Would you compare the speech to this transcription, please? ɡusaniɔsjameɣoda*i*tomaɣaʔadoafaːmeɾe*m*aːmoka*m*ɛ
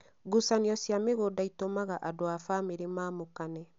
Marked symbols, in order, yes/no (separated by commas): yes, yes, no